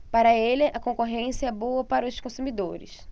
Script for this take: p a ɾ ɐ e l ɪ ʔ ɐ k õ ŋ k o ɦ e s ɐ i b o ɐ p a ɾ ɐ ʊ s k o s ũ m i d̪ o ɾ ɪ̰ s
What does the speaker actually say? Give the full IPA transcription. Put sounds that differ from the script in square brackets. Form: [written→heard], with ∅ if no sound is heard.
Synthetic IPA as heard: p a ɾ ɐ e l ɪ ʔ ɐ k õ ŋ k o ɦ [e→ẽ] s ɐ [i→ɛ] b o ɐ p a ɾ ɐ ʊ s k [o→õ] s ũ m i d̪ o ɾ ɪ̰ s